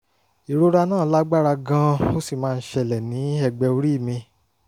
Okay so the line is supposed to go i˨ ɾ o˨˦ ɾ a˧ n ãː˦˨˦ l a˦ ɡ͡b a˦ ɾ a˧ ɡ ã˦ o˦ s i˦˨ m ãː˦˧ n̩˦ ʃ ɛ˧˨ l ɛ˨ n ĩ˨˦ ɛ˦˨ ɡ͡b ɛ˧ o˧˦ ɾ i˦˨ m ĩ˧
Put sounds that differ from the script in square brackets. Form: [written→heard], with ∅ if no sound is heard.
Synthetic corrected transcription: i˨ ɾ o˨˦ ɾ a˧ n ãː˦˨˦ l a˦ ɡ͡b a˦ ɾ a˧ ɡ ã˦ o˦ s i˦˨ m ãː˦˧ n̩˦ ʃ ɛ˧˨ l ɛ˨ n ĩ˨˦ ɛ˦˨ ɡ͡b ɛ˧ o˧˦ ɾ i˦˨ m ĩ˧